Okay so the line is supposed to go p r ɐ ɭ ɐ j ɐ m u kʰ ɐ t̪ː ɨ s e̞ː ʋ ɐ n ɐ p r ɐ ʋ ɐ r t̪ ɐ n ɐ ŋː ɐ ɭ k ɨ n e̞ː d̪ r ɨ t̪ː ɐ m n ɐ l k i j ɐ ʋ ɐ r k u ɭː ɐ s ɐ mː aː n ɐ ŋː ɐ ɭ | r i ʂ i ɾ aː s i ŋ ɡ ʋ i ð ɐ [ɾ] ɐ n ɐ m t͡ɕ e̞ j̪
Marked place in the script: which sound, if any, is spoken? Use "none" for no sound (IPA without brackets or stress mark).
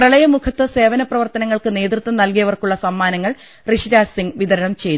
ɾ